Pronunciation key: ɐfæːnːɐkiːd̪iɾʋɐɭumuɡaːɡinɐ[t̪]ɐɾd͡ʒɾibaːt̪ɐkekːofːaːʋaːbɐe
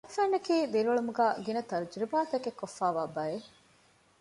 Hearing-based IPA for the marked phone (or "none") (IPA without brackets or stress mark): t̪